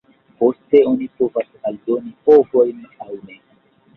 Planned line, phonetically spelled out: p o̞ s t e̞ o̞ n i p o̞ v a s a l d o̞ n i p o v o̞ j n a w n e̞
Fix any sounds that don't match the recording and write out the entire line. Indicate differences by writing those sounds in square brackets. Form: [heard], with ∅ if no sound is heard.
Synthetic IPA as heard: p o̞ s t e̞ o̞ n i p o̞ v a s a l d o̞ n i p o v o̞ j n a w n e̞